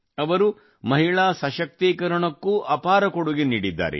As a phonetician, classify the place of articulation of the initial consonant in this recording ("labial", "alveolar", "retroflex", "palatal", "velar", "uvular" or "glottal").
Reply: labial